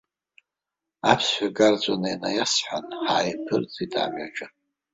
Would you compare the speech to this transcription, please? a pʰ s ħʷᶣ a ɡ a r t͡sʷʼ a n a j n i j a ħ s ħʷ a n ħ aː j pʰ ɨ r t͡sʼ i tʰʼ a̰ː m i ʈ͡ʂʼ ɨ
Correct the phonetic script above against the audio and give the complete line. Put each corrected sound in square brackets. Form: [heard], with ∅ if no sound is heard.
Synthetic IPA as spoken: a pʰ s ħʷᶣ a ɡ a r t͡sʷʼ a n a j n [a] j a [∅] s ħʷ a n ħ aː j pʰ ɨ r t͡sʼ i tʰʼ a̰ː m [a] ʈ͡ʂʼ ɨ